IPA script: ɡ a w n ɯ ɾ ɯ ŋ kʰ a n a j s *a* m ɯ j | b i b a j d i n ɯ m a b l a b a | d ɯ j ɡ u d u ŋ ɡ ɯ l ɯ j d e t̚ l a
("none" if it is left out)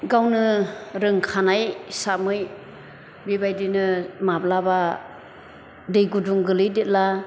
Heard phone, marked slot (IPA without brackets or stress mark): a